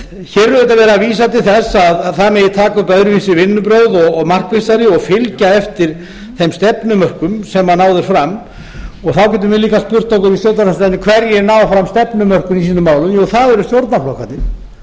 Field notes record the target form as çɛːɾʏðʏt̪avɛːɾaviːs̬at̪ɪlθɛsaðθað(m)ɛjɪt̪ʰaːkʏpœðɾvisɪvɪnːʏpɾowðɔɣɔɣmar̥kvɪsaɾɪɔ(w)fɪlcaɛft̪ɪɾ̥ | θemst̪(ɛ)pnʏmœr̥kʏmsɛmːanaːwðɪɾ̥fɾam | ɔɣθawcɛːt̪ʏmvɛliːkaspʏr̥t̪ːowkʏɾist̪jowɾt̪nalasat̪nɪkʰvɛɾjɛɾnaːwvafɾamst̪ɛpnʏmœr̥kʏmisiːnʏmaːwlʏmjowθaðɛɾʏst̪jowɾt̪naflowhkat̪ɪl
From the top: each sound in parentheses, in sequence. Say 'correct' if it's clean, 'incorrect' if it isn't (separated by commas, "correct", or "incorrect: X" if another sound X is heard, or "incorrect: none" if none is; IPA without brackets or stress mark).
correct, incorrect: ɣ, correct